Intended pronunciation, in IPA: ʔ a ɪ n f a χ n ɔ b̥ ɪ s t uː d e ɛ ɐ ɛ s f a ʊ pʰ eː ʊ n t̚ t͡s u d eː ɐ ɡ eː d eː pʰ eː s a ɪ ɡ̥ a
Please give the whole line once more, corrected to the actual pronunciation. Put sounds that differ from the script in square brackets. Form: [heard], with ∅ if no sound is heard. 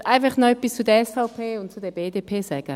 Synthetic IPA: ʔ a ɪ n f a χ n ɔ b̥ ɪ s [t͡s] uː d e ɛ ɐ ɛ s f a ʊ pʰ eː ʊ n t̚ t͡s u d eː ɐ [b] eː d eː pʰ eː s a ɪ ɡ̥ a